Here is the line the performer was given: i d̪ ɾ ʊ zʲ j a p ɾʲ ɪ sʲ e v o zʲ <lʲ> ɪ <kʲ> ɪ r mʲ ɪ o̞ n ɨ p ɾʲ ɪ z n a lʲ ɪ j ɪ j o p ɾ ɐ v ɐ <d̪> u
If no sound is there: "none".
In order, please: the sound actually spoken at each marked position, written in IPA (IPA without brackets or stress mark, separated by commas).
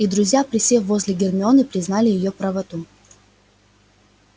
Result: lʲ, ɡʲ, t̪